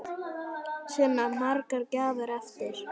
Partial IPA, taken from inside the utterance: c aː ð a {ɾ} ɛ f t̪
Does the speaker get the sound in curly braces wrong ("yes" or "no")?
no